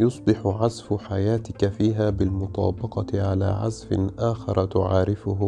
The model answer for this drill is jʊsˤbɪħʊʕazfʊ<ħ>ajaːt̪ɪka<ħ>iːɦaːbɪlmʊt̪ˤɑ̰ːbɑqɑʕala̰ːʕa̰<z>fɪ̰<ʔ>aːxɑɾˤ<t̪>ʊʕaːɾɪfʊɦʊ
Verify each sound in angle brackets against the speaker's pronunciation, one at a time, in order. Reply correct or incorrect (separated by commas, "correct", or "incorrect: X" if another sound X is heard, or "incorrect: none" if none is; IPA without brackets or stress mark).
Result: correct, incorrect: f, correct, correct, correct